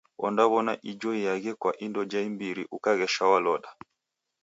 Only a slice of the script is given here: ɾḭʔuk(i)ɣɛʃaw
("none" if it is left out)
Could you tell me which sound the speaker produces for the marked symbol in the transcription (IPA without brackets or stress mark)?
a